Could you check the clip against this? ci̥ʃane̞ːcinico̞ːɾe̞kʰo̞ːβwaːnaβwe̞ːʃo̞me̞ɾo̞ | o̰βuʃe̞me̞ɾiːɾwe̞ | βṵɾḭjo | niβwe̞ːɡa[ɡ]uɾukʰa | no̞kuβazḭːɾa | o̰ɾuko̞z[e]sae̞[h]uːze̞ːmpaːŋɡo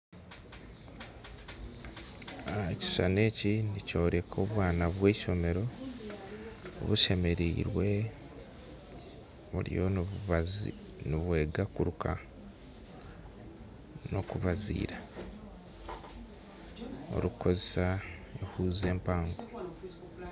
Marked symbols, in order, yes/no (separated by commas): no, yes, yes